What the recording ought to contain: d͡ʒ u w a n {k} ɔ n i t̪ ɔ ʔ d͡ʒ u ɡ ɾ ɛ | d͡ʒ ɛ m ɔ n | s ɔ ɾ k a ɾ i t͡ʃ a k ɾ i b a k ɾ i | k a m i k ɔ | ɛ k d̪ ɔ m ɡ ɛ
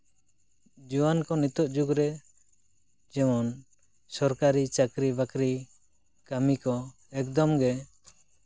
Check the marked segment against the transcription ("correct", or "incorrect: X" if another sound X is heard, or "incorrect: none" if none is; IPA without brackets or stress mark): correct